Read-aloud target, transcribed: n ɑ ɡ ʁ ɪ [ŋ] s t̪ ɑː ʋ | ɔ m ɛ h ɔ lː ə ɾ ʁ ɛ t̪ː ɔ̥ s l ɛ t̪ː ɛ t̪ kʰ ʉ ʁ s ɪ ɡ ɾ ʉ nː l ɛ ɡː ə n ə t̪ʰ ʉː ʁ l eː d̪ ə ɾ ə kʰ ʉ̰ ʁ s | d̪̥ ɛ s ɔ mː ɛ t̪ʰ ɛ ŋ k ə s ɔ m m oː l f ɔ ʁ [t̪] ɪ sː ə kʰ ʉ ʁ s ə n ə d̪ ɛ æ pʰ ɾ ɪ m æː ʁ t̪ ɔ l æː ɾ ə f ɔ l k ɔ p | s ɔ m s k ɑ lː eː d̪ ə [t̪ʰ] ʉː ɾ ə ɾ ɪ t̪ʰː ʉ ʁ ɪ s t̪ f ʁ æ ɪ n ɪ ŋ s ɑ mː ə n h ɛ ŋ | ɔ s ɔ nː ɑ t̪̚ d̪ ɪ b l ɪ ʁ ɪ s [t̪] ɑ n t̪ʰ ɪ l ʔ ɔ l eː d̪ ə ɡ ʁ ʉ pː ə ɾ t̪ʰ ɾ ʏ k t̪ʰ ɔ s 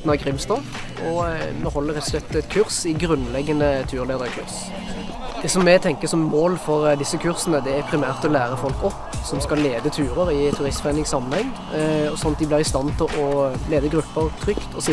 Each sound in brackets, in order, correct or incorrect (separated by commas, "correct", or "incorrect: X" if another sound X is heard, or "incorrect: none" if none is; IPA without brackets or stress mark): incorrect: m, incorrect: d̪, correct, correct